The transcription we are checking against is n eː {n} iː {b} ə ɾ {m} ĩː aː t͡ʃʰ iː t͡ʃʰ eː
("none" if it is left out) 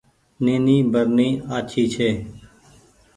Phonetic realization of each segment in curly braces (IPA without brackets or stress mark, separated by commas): n, b, n